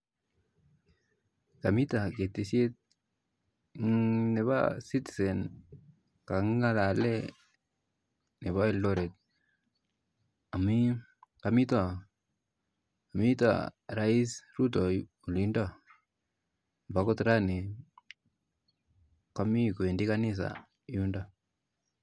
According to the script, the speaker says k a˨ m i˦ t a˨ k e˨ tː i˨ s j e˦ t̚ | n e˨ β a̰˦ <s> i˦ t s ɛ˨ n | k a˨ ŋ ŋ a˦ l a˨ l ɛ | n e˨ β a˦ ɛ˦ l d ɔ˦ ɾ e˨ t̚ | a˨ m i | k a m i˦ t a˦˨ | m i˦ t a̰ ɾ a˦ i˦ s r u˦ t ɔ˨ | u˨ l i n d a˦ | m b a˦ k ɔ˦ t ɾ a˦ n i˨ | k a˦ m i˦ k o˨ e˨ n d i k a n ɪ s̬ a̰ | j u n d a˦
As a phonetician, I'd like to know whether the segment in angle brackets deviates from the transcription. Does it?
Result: no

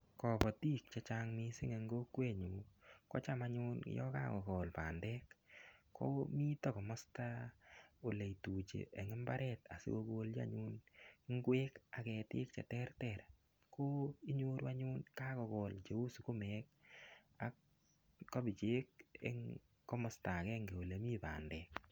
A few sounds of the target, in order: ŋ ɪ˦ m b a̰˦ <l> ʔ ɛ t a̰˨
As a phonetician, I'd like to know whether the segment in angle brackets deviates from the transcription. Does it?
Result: yes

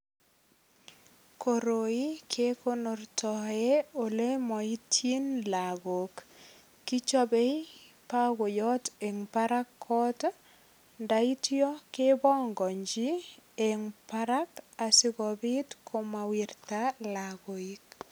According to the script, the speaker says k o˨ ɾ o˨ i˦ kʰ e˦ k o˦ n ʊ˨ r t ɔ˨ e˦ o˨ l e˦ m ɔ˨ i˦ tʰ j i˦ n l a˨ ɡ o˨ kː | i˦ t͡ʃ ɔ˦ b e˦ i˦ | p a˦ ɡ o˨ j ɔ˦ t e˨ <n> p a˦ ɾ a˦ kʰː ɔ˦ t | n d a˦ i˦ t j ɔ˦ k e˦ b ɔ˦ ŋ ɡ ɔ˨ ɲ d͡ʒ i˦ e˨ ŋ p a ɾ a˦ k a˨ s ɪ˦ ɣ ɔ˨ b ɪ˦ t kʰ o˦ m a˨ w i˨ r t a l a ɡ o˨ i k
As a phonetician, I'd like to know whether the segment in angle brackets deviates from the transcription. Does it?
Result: yes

